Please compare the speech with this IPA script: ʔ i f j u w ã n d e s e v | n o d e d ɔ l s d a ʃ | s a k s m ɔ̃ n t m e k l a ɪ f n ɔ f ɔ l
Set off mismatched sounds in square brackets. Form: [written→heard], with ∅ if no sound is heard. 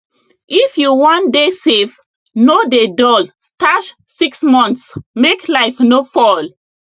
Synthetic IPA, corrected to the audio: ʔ i f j u w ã n d e s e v | n o d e d ɔ l s [d→t] a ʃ | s [a→i] k s m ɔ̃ n [t→s] m e k l a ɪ f n [ɔ→o] f ɔ l